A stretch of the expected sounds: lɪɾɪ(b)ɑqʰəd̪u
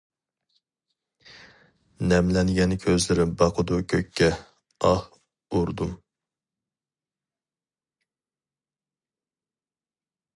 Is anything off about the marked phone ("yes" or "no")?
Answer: no